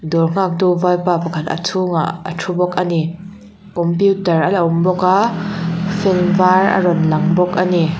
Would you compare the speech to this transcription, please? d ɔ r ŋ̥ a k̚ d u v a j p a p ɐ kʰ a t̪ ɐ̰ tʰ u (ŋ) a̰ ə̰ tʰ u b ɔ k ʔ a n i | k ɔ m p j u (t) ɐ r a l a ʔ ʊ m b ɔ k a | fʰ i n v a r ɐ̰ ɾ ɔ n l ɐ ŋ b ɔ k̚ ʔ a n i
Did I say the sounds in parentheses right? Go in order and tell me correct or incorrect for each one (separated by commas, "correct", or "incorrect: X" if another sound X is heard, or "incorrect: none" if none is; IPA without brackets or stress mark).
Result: correct, correct